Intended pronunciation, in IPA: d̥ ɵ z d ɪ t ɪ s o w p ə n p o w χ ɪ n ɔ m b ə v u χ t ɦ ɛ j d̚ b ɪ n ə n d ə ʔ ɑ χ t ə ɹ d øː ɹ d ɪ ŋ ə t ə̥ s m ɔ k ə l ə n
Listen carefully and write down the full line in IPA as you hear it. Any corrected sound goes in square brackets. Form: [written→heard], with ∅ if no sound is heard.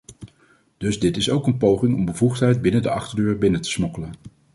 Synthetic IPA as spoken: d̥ ɵ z d ɪ t ɪ s o w [p→k] ə n p o w χ ɪ [n→ŋ] ɔ m b ə v u χ t ɦ ɛ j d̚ b ɪ n ə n d ə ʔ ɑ χ t ə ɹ d øː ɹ [d→b] ɪ [ŋ→n] ə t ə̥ s m ɔ k ə l ə n